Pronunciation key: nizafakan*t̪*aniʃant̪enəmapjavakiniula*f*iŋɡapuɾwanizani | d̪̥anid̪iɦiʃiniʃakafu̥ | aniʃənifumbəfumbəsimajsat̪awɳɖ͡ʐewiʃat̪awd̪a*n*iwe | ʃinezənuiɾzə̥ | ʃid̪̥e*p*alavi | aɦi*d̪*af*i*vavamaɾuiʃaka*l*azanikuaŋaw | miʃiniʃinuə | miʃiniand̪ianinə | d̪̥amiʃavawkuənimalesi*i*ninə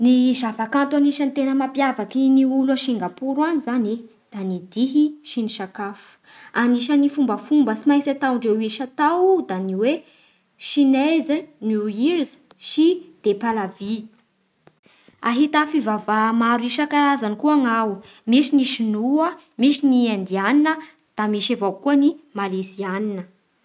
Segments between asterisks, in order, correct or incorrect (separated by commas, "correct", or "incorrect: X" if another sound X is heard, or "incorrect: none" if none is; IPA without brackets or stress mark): correct, incorrect: ʃ, correct, correct, incorrect: t̪, correct, incorrect: ɾ, incorrect: a